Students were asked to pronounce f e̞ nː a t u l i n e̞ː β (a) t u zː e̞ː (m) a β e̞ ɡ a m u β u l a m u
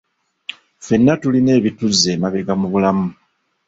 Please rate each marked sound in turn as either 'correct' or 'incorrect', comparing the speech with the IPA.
incorrect: i, correct

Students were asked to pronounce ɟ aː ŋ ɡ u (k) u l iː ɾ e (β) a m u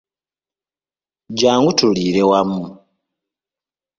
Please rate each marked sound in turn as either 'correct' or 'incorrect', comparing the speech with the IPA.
incorrect: t, incorrect: w

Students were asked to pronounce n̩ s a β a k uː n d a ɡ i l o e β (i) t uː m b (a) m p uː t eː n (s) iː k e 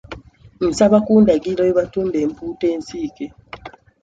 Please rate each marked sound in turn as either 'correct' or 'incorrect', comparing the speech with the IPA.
incorrect: a, incorrect: e, correct

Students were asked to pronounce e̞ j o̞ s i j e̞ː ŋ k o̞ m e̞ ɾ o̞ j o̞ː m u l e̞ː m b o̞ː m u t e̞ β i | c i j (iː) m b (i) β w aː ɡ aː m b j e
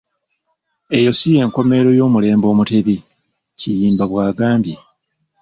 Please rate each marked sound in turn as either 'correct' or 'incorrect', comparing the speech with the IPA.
correct, incorrect: a

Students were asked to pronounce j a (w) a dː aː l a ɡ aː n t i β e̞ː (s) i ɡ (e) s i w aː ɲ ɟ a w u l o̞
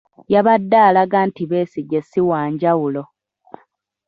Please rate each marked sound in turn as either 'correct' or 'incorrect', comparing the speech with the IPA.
incorrect: β, correct, correct

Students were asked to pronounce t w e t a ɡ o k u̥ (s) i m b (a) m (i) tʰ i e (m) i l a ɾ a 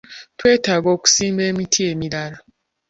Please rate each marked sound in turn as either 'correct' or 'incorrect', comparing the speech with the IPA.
correct, incorrect: e, correct, correct

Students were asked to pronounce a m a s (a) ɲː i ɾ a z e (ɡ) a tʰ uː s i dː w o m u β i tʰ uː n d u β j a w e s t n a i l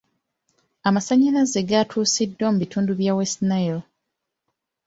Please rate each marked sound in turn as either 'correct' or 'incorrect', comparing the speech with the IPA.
correct, correct

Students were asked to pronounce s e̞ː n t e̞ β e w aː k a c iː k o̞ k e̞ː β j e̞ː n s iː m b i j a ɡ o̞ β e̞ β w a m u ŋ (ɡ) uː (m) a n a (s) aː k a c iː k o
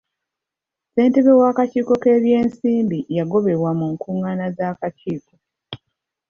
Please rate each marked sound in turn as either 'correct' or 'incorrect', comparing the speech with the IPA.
incorrect: k, incorrect: ŋ, incorrect: z

